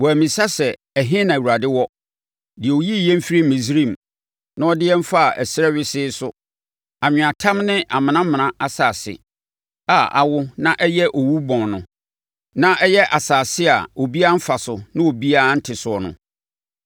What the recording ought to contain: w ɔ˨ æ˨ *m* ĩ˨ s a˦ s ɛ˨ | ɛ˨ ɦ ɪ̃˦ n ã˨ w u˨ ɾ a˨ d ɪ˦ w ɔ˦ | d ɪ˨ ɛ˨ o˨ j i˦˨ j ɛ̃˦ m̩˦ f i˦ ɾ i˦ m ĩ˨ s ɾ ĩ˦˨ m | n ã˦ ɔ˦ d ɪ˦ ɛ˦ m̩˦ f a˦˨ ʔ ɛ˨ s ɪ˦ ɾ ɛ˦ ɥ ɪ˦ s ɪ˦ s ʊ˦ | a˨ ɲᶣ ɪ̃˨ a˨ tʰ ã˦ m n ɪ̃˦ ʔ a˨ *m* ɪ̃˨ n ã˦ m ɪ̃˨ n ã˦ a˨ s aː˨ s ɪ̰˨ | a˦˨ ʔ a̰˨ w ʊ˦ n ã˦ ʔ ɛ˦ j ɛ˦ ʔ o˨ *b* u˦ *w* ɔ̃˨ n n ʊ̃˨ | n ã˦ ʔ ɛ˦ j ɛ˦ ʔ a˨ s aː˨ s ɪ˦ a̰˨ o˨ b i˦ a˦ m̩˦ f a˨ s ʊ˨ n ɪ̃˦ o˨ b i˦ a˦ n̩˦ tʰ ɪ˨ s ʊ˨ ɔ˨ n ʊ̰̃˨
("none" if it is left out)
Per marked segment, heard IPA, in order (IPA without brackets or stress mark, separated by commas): m, m, w, b